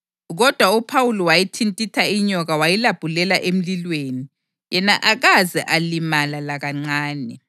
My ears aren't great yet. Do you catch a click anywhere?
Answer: yes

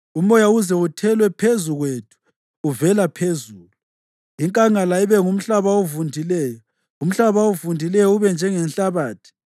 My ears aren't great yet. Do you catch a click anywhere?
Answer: no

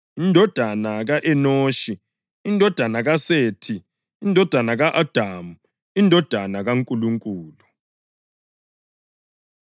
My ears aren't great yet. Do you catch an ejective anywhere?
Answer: yes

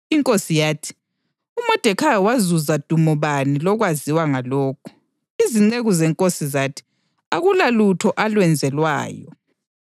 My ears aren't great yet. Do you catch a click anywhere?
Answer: yes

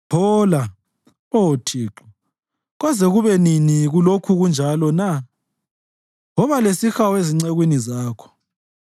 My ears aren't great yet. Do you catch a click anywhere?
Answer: yes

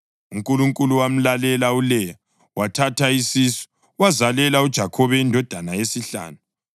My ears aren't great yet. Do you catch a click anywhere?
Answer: no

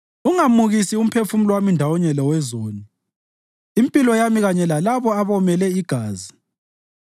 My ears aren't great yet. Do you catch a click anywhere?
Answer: no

